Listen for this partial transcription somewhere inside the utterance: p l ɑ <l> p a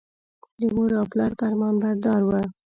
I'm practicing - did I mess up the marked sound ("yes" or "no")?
yes